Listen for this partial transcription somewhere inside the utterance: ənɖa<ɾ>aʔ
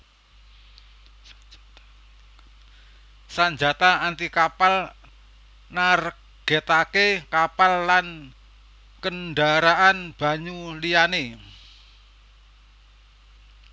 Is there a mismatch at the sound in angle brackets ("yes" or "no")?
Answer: no